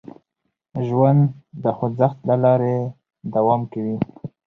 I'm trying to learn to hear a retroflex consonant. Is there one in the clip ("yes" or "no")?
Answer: no